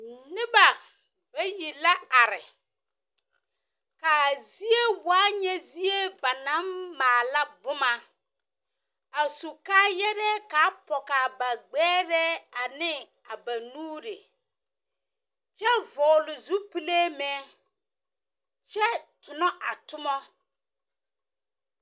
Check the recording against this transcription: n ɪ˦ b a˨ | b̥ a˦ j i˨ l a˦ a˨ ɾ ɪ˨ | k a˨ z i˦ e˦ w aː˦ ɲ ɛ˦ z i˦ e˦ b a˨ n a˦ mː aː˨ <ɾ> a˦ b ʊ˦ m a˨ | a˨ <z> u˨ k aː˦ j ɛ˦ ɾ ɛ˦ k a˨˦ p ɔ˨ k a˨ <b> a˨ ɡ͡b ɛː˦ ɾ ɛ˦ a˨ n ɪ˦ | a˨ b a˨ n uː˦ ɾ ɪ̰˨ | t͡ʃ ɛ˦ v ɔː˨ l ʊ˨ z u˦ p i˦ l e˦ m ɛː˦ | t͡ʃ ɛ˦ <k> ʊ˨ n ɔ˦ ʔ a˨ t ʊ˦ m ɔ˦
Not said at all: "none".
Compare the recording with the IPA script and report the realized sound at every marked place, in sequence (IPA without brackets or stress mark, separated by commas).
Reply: l, s, b, t